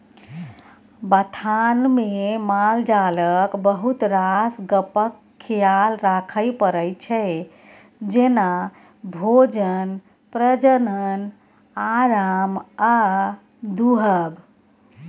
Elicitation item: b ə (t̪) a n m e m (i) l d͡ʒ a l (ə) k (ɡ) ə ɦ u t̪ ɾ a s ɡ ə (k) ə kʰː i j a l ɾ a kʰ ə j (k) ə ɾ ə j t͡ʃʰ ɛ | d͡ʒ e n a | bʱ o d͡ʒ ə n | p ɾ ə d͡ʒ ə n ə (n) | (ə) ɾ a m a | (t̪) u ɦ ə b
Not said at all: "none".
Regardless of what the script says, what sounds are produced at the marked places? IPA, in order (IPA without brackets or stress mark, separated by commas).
t̪ʰ, a, ə, b, p, p, n, a, d̪